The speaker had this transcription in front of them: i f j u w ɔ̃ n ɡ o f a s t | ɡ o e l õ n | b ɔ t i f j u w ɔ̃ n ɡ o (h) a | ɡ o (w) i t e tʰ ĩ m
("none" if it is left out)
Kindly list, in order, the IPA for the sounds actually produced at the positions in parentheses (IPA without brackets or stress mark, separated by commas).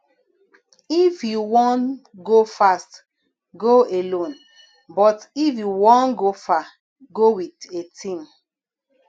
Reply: f, w